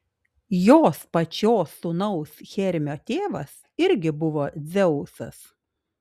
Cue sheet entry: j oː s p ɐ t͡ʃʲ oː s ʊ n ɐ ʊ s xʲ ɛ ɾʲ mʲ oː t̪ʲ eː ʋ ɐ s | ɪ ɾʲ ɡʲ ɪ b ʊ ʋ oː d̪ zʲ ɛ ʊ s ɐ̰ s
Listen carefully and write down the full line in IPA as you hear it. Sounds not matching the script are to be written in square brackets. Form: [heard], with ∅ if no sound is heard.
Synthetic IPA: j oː s p ɐ t͡ʃʲ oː s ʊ n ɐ ʊ s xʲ ɛ ɾʲ mʲ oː t̪ʲ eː ʋ ɐ s | ɪ ɾʲ ɡʲ ɪ b ʊ ʋ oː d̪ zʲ ɛ ʊ s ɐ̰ s